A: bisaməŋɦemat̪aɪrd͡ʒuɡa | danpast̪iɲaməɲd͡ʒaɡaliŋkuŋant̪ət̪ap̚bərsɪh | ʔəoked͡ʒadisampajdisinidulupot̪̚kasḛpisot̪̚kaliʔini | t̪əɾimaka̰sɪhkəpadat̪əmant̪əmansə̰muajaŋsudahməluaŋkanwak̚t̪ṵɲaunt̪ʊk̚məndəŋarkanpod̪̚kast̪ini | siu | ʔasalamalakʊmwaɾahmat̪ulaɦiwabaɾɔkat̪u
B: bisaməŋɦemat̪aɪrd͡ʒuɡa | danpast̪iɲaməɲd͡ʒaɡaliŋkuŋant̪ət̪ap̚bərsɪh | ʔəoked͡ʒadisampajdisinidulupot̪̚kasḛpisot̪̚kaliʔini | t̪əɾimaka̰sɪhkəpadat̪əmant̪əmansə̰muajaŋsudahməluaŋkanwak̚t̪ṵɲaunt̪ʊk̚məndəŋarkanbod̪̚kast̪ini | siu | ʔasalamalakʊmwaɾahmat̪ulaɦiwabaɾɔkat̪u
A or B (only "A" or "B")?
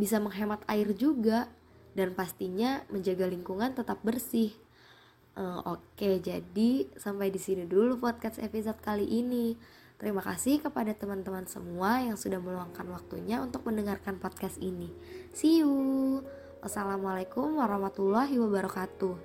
A